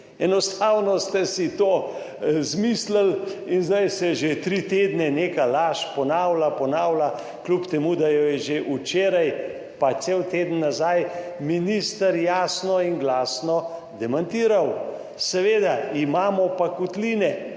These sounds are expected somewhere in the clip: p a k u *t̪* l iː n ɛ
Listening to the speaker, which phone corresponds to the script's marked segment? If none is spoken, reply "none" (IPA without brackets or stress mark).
t̪